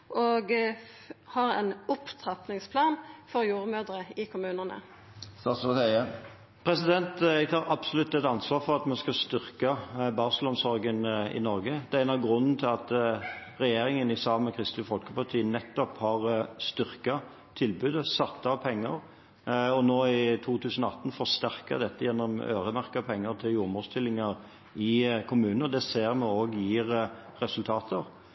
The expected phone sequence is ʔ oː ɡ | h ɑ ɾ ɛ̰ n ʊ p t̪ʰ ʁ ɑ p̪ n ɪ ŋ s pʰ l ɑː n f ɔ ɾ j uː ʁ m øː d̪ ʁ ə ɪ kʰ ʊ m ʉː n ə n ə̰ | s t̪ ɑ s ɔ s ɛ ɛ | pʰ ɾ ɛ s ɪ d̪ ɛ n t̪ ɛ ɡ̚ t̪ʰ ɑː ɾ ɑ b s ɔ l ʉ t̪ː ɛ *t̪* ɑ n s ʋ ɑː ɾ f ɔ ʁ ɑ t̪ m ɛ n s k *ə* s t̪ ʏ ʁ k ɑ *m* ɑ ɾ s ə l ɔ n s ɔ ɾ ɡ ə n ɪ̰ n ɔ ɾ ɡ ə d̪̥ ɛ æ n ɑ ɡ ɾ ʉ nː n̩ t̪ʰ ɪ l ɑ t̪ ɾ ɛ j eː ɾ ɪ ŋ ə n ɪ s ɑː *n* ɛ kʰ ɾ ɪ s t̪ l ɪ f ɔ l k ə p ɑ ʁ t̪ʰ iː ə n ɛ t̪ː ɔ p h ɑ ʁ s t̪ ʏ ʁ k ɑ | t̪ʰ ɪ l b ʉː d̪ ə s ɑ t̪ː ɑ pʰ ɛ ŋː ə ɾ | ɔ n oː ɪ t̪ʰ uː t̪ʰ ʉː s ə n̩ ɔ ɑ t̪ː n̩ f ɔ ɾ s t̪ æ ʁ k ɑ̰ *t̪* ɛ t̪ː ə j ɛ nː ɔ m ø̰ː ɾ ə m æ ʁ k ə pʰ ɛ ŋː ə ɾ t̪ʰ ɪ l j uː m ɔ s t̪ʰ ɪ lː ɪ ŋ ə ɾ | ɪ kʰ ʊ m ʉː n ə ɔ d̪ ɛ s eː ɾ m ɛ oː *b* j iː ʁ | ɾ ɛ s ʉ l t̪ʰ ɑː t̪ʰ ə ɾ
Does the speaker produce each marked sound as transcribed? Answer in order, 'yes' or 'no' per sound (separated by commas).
yes, no, no, no, no, no